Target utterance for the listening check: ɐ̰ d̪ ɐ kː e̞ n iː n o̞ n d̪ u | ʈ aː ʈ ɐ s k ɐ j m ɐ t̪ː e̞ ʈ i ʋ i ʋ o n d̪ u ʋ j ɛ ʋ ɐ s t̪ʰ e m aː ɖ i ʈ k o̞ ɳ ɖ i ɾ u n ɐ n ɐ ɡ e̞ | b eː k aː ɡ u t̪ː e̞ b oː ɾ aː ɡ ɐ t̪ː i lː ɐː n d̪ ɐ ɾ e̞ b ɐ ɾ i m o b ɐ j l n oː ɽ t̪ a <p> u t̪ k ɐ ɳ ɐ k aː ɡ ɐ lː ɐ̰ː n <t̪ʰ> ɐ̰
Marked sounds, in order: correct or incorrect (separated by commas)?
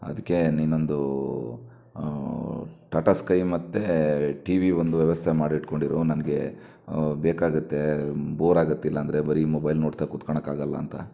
incorrect, incorrect